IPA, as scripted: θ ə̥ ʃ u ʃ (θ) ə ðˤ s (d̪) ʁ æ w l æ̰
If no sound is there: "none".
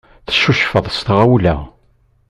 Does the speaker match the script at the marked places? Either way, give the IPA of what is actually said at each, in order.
f, t̪

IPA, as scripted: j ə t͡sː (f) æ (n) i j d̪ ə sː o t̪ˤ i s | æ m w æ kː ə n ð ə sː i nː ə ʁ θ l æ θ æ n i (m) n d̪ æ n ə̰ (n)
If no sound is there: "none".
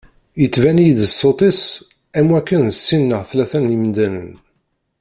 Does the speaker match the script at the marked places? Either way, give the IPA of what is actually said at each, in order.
v, n, m, n

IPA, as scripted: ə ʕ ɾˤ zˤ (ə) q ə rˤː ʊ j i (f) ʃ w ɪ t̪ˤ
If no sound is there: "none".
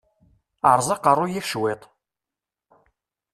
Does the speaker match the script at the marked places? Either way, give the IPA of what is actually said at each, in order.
ɑ, f

